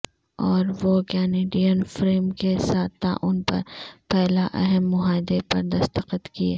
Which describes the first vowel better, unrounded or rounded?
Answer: rounded